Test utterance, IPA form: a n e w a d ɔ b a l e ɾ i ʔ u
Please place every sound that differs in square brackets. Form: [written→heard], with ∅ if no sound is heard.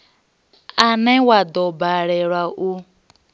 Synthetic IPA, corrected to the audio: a n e w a d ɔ b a [l→ɾ] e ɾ [i→a] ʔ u